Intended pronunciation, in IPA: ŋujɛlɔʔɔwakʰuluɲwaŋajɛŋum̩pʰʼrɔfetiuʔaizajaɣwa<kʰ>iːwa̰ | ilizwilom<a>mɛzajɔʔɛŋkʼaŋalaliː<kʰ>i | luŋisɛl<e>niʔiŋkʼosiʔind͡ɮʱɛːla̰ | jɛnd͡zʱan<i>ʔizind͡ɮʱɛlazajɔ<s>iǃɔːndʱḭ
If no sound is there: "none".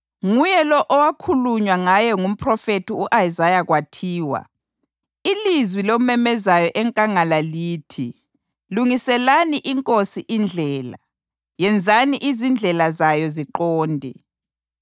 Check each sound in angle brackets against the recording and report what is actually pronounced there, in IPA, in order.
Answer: tʰ, ɛ, tʰ, a, i, z

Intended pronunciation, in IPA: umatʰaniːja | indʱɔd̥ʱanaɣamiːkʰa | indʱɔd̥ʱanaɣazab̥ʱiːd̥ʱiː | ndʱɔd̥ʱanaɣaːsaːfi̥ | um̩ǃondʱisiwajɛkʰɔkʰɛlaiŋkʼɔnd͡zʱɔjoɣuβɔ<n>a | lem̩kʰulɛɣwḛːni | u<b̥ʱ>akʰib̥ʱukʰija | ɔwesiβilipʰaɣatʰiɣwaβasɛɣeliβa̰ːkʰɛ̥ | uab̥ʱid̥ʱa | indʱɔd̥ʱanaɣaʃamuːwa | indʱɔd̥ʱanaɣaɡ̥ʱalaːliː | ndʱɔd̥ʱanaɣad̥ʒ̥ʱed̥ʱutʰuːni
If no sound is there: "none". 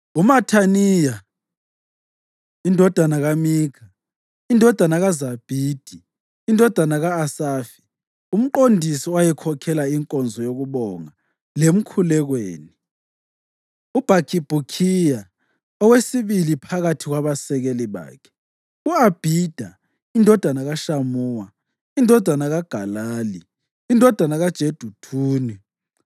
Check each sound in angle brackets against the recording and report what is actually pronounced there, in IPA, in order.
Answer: ŋ, b̥ʱ

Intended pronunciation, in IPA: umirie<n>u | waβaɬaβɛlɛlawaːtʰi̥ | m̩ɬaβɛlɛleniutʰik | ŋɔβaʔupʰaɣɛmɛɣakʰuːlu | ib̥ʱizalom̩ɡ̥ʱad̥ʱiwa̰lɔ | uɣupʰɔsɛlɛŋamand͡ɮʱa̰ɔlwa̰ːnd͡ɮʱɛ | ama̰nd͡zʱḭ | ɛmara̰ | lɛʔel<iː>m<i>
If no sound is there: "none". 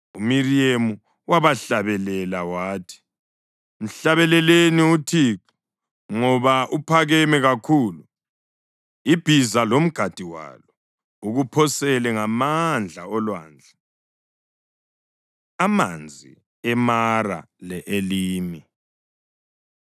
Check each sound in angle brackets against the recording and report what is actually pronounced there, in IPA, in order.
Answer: m, iː, i

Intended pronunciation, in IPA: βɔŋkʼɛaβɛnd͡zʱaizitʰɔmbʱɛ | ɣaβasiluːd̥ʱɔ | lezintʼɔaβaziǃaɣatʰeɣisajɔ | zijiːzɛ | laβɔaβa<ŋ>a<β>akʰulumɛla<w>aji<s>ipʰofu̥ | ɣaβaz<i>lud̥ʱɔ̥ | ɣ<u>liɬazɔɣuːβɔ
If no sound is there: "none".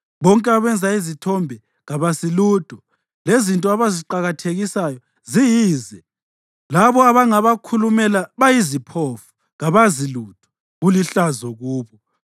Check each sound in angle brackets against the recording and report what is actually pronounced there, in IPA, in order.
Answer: ŋ, β, β, z, i, u

